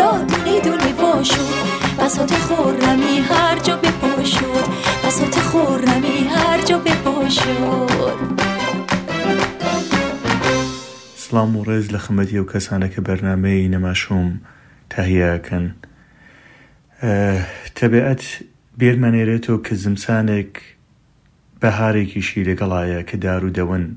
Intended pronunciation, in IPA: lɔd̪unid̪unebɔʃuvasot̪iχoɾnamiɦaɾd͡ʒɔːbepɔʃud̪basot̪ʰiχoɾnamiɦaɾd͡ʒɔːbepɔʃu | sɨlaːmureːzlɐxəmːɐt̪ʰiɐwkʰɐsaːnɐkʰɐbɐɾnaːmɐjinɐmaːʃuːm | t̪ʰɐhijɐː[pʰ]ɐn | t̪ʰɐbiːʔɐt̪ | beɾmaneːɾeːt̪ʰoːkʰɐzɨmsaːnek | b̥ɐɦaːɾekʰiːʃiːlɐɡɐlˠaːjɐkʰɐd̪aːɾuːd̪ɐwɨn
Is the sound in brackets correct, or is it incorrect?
incorrect